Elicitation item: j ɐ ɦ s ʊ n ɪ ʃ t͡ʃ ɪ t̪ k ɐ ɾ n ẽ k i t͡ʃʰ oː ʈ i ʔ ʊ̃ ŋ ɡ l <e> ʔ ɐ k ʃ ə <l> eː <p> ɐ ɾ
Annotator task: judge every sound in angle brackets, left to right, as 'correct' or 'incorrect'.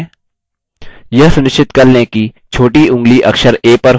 incorrect: i, incorrect: ɾ, correct

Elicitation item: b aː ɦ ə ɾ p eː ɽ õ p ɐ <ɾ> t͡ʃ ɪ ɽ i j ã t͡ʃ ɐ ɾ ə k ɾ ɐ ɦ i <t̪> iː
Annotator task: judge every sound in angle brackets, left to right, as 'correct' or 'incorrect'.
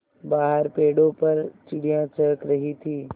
correct, incorrect: t̪ʰ

